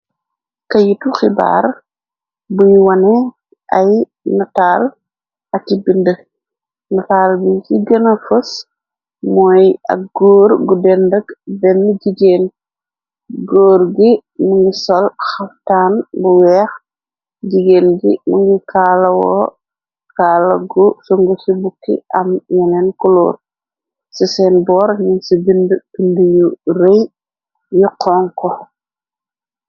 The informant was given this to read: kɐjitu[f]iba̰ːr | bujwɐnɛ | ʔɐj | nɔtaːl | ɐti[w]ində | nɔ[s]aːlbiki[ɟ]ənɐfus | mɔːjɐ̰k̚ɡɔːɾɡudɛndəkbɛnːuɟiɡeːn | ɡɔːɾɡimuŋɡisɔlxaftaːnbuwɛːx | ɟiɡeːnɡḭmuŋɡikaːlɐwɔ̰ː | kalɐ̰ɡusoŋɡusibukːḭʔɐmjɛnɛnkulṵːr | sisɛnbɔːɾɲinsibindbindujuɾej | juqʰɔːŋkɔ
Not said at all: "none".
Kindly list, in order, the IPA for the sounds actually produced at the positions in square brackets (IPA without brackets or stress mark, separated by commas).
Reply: x, b, t, ɡ